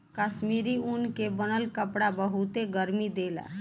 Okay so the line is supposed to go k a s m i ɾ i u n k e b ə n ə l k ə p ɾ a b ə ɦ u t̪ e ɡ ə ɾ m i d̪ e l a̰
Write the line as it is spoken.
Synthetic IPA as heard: k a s m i ɾ i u n k e b ə n ə l k ə p ɽ a b ə ɦ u t̪ e ɡ ə ɾ m i d̪ e l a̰